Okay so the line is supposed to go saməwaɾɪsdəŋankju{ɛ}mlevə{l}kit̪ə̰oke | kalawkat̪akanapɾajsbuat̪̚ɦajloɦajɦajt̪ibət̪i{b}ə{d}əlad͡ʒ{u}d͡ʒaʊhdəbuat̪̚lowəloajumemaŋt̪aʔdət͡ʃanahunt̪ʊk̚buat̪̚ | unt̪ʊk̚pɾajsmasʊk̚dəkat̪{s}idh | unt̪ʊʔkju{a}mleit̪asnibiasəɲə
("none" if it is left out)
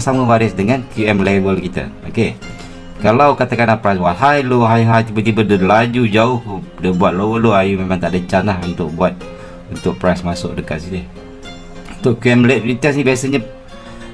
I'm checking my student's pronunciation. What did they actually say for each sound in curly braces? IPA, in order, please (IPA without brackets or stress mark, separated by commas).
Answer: ɛ, l, b, d, u, s, ɛ